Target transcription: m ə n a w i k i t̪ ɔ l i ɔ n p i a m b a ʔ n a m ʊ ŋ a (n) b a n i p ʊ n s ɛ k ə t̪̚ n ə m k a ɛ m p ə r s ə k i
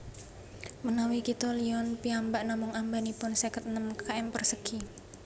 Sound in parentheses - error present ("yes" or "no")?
yes